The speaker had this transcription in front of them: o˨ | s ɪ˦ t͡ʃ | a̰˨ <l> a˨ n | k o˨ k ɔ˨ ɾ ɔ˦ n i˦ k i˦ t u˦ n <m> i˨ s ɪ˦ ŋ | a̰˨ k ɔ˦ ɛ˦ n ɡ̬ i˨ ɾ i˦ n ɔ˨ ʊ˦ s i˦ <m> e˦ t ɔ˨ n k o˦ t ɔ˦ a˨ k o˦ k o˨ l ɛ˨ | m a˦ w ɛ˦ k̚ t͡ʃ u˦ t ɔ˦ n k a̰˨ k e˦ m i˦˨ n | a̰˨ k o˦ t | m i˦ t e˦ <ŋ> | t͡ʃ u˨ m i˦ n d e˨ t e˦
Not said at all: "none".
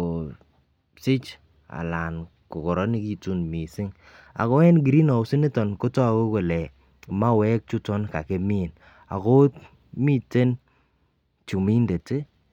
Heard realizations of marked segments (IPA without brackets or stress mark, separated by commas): l, m, n, n